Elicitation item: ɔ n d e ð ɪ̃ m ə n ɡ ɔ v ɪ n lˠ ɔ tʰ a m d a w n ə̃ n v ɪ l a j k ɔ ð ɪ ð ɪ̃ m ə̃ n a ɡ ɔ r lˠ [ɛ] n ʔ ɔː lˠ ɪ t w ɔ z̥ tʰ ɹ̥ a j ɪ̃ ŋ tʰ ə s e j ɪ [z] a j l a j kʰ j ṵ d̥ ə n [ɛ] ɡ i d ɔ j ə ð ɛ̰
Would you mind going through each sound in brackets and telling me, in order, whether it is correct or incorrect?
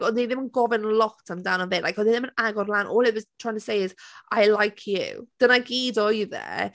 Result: incorrect, correct, incorrect

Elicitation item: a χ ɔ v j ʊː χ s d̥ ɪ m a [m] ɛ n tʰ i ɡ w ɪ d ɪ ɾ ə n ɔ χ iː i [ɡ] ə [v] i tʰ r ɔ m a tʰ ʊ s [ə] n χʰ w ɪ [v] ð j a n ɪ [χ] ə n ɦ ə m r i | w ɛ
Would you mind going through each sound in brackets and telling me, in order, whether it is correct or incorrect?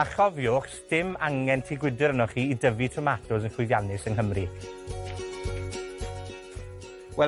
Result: incorrect, incorrect, correct, correct, incorrect, incorrect

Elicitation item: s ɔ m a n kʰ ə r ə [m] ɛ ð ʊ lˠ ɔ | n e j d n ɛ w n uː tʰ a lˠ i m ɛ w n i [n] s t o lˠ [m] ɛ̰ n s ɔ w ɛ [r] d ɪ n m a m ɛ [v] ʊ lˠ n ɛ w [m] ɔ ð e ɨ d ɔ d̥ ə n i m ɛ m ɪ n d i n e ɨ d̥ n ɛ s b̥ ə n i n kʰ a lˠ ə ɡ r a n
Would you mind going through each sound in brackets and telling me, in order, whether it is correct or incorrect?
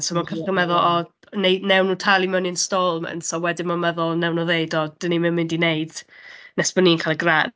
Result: correct, correct, correct, incorrect, incorrect, incorrect

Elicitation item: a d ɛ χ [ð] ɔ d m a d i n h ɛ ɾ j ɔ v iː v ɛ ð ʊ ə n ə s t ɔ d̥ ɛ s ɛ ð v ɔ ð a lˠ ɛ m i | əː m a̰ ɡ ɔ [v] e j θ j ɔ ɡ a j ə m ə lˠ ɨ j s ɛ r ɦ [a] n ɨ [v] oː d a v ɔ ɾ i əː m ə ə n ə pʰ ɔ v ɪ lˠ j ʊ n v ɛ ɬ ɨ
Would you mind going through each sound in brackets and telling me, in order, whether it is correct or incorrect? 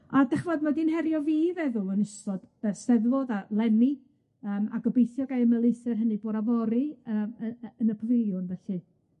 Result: incorrect, incorrect, incorrect, incorrect

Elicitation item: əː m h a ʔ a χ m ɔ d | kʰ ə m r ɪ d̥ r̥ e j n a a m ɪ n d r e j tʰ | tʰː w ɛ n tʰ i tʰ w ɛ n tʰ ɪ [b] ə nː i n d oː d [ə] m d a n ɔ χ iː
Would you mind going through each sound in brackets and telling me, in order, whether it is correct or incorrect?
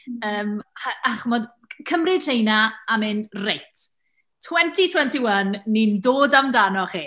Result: incorrect, incorrect

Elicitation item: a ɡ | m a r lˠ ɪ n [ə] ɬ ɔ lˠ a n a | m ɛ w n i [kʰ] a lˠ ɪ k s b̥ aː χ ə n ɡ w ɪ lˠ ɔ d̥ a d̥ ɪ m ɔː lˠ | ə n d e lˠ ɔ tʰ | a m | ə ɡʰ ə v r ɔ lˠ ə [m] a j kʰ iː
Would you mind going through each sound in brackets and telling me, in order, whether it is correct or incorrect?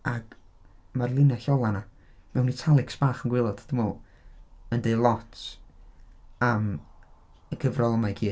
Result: incorrect, incorrect, correct

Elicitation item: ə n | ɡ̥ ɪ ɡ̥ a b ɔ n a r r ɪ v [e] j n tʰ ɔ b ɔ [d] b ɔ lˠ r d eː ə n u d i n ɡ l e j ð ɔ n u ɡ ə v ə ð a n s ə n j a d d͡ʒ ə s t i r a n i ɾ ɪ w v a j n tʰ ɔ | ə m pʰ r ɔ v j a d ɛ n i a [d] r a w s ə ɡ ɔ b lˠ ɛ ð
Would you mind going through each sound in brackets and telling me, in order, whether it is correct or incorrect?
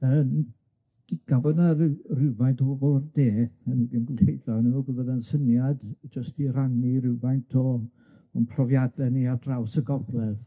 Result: incorrect, incorrect, correct

